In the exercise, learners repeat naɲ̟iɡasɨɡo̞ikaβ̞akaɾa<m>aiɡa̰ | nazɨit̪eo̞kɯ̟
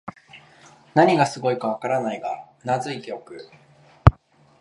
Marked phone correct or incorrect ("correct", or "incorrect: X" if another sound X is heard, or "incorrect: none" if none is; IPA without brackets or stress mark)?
incorrect: n